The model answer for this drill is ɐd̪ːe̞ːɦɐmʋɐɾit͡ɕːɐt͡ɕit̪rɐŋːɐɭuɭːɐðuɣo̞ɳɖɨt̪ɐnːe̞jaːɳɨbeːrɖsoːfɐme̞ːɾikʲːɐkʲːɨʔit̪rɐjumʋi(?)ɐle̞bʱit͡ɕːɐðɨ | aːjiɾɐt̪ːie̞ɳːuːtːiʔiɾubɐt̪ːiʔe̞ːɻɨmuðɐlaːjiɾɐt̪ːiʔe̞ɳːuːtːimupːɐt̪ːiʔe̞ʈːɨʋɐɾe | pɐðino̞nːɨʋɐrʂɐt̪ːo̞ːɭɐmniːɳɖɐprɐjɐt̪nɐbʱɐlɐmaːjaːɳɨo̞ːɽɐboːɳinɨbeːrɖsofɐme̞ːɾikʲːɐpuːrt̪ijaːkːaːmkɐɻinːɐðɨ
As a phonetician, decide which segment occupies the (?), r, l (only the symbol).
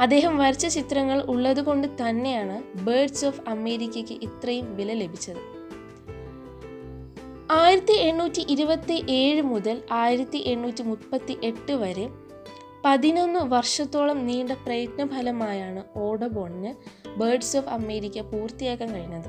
l